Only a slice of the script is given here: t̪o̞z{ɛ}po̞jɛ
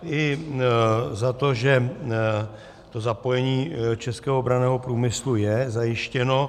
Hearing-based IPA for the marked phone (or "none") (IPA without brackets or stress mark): a